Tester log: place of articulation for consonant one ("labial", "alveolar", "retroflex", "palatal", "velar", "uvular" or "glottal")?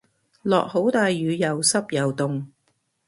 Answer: alveolar